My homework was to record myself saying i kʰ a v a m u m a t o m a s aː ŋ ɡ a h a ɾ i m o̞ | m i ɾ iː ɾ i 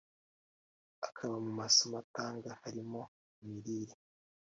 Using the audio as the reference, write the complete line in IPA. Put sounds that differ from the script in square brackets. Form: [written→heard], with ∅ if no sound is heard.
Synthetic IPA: [i→a] kʰ a [v→β] a m u m a [t→s] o m a [s→t] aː ŋ ɡ a h a ɾ i m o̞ | m i ɾ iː ɾ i

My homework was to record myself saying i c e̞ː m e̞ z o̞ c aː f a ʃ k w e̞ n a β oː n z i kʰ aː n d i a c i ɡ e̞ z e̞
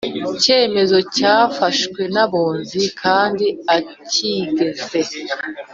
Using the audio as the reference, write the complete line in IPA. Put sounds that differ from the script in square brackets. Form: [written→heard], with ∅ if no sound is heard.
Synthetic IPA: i c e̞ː m e̞ z o̞ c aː f a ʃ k w e̞ n a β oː n z i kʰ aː n d i a c i ɡ e̞ z e̞

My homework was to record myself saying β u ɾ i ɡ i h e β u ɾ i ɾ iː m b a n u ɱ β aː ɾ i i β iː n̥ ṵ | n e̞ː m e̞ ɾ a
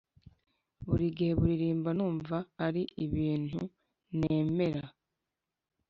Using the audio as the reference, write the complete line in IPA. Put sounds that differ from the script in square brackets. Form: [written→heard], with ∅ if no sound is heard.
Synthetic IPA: β u ɾ i ɡ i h e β u ɾ i ɾ iː m b a n [u→uː] ɱ [β→v] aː ɾ i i β iː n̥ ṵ | n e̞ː m e̞ ɾ a

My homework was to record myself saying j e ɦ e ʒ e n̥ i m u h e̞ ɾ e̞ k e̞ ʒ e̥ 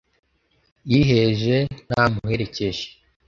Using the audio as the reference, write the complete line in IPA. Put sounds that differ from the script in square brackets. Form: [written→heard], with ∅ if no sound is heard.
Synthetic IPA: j [e→i] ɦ e ʒ e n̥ [i→a] m u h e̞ ɾ e̞ [k→c] e̞ ʒ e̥

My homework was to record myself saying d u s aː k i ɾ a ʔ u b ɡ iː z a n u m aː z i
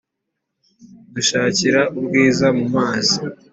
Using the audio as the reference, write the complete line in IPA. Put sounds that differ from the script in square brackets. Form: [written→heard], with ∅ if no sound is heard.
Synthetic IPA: d u [s→ʃ] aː [k→c] i ɾ a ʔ u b ɡ iː z a [n→m] u m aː z i

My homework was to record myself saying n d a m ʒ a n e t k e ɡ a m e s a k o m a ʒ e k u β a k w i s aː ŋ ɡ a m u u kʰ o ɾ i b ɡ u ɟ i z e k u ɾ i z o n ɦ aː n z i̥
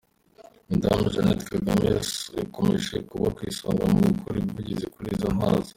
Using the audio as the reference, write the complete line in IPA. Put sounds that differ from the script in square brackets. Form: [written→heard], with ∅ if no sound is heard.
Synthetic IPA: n d a m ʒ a n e t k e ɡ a m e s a k o m [a→e] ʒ e k u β a k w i s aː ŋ ɡ a m u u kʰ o ɾ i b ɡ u ɟ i z e k u ɾ i z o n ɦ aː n z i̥

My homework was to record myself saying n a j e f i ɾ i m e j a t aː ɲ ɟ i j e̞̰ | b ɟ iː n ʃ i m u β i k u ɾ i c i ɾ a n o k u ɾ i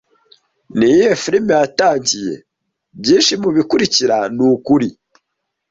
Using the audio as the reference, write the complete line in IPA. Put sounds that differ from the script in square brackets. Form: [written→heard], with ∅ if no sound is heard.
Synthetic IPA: n [a→i] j e f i ɾ i m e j a t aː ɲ ɟ i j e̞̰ | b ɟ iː n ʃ i m u β i k u ɾ i c i ɾ a n [o→u] k u ɾ i

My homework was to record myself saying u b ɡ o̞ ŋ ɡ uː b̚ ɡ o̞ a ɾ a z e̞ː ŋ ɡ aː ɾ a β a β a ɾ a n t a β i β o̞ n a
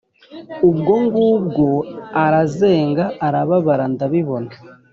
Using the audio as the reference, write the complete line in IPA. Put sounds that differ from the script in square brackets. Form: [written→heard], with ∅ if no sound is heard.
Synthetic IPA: u b ɡ o̞ ŋ ɡ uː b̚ ɡ o̞ a ɾ a z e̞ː ŋ ɡ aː ɾ a β a β a ɾ a n [t→d] a β i β o̞ n a

